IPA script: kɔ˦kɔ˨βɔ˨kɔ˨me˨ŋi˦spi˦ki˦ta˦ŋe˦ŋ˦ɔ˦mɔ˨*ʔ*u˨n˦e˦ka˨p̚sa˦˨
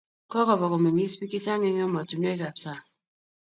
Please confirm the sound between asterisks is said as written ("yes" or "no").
no